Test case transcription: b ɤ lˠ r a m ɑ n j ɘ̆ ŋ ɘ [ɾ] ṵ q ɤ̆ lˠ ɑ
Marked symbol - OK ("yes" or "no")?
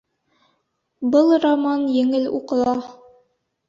no